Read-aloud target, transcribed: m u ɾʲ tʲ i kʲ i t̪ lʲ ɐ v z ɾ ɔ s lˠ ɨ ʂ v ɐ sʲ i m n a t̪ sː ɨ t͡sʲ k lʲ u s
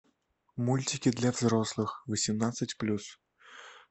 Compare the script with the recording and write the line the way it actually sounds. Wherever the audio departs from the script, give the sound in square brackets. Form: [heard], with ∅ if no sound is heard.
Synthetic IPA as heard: m u [lʲ] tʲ i kʲ i [d̪] lʲ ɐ v z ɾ ɔ s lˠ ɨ [x] v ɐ sʲ i m n a t̪ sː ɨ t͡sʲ [p] lʲ u s